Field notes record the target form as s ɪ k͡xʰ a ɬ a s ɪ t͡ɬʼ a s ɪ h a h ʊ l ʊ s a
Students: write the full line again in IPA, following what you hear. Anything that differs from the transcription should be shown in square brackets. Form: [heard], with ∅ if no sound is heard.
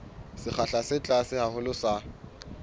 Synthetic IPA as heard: s ɪ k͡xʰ a ɬ a s ɪ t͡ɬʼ a s ɪ h a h ʊ l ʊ s a